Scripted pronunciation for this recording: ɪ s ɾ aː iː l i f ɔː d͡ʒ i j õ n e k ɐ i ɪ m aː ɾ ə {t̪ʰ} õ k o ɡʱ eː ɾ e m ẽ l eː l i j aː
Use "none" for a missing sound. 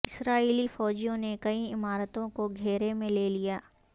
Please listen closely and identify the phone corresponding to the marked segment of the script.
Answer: t̪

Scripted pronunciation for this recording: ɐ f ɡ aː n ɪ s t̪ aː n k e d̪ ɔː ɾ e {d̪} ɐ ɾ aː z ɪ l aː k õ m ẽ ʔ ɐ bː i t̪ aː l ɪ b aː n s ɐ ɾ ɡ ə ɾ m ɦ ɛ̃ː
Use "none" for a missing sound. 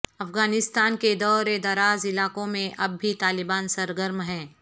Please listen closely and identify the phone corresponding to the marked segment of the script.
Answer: d̪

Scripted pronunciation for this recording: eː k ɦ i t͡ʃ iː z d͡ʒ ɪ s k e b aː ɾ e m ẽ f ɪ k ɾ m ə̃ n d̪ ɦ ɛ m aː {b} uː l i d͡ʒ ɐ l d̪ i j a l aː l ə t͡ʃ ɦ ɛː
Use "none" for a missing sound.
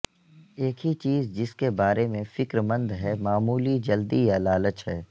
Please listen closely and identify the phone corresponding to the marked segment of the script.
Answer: m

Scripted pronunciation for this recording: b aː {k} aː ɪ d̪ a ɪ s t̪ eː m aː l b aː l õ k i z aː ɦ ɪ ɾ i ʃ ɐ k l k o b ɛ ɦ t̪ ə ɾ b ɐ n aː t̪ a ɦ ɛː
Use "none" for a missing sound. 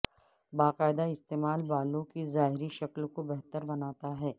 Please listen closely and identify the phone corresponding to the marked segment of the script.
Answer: q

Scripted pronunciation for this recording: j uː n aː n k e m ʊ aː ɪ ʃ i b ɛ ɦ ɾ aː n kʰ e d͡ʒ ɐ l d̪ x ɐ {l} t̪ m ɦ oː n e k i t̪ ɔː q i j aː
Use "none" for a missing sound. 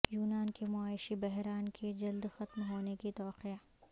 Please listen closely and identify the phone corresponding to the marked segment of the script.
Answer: none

